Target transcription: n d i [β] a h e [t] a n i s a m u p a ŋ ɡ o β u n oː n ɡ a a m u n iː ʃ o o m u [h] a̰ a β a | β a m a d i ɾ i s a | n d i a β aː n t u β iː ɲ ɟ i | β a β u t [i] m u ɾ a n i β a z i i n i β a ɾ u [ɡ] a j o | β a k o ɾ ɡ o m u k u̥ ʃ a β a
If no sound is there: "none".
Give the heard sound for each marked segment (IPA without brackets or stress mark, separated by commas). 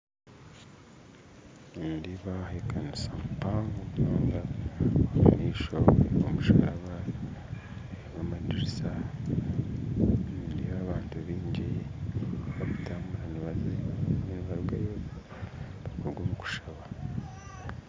β, k, ʃ, a, ɡ